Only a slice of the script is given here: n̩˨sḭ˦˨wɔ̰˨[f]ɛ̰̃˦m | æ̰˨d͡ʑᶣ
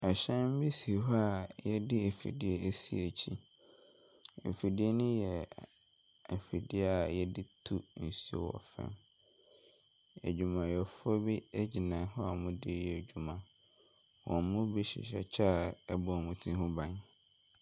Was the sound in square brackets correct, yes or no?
yes